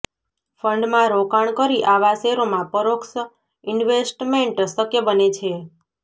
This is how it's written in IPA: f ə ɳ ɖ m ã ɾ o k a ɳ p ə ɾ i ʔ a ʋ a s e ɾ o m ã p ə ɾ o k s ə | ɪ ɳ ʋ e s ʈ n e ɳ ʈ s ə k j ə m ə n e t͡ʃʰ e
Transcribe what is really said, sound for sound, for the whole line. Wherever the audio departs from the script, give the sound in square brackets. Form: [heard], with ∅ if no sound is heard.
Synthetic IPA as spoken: f ə ɳ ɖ m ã ɾ o k a ɳ [k] ə ɾ i ʔ a ʋ a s e ɾ o m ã p ə ɾ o k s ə | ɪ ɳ ʋ e s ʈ [m] e ɳ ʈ s ə k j ə [b] ə n e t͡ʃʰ e